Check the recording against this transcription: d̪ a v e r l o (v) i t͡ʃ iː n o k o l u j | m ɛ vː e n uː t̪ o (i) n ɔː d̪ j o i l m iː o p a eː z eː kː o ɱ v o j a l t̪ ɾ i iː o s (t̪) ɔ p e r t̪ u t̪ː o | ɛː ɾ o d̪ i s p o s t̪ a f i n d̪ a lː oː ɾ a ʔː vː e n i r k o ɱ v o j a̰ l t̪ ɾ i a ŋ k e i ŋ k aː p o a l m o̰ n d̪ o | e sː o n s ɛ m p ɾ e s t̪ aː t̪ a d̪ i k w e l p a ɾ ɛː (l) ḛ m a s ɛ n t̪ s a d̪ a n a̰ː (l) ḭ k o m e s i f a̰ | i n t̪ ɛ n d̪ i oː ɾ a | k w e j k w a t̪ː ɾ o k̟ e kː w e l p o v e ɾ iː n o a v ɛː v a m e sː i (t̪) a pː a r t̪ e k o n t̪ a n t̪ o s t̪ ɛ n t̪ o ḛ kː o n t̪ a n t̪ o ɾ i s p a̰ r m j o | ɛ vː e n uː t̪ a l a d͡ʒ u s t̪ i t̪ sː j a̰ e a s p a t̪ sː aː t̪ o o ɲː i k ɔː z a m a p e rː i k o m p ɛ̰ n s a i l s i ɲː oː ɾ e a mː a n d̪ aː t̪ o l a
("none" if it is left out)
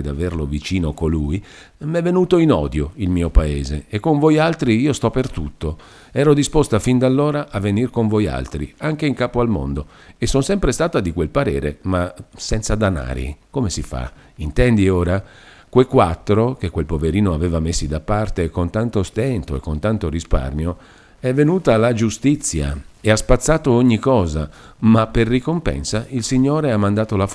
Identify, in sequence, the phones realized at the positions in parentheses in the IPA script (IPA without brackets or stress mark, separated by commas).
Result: v, i, t̪, ɾ, ɾ, d̪